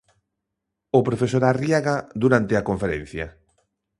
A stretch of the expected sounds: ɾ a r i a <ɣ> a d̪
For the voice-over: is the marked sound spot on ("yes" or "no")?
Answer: yes